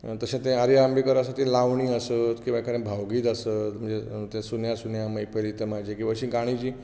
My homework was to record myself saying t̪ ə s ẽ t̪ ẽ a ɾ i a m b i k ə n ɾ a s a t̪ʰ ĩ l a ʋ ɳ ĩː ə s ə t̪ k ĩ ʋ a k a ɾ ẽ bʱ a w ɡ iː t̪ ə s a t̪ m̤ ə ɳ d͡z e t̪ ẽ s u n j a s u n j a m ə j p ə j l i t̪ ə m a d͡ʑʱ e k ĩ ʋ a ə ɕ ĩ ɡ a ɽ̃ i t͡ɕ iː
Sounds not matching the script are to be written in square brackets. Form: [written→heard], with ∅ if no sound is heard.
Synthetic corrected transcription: t̪ ə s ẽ t̪ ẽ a ɾ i a m b i k ə [n→∅] ɾ a s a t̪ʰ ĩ l a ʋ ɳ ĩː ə s ə t̪ k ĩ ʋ a k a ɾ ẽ bʱ a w ɡ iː t̪ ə s [a→ə] t̪ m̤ ə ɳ d͡z e t̪ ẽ s u n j a s u n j a m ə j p ə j l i t̪ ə m a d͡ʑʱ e k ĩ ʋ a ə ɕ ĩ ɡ a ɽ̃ i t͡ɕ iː